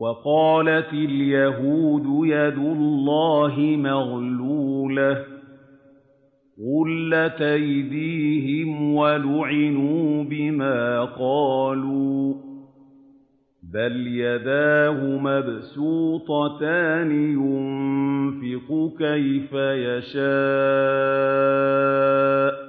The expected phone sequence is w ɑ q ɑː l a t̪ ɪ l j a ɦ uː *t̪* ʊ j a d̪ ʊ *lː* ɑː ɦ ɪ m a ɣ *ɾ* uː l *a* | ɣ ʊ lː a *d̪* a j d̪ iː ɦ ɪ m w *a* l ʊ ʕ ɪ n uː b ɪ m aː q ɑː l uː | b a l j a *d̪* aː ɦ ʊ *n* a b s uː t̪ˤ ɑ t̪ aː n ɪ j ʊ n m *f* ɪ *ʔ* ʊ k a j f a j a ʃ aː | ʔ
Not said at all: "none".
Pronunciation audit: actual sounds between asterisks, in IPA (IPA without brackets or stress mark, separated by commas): d̪, lː, l, a, t̪, a, d̪, m, f, q